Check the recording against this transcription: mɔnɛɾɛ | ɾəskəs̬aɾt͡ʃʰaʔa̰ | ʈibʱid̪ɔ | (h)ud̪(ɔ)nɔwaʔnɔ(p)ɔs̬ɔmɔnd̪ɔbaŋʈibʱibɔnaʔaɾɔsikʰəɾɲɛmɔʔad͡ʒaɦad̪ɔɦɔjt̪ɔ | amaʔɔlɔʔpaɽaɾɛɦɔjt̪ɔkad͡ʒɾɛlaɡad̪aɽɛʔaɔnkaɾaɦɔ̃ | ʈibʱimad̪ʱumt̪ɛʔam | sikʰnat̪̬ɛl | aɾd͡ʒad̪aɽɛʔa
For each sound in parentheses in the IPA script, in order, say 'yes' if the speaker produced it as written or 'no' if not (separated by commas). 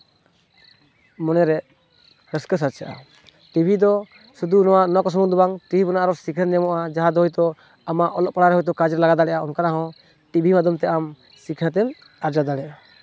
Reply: no, no, no